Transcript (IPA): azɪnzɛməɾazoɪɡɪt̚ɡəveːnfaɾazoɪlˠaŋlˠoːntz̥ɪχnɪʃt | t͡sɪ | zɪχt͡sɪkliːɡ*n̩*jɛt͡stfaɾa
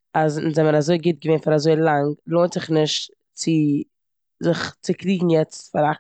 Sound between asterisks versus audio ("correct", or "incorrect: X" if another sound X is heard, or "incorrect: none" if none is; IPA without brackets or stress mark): incorrect: ŋ̩